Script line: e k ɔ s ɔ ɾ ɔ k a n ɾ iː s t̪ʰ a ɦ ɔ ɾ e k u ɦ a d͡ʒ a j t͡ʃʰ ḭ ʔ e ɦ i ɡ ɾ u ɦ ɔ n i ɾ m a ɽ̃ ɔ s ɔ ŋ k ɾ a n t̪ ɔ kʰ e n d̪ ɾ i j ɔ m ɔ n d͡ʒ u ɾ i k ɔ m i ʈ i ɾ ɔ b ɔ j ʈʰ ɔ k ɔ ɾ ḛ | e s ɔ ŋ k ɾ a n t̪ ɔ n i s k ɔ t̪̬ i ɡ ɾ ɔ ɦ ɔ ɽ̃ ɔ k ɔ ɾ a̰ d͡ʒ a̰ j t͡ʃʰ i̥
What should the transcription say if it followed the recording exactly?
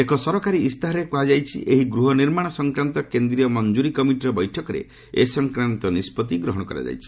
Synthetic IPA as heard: e k ɔ s ɔ ɾ ɔ k a ɾ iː s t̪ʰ a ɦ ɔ ɾ e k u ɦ a d͡ʒ a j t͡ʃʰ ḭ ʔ e ɦ i ɡ ɾ u ɦ ɔ n i ɾ m a ɽ̃ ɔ s ɔ ŋ k ɾ a n t̪ ɔ k e n d̪ ɾ i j ɔ m ɔ n d͡ʒ u ɾ i k ɔ m i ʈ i ɾ ɔ b ɔ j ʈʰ ɔ k ɔ ɾ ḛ | e s ɔ ŋ k ɾ a n t̪ ɔ n i s p ɔ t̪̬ i ɡ ɾ ɔ ɦ ɔ ɽ̃ ɔ k ɔ ɾ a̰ d͡ʒ a̰ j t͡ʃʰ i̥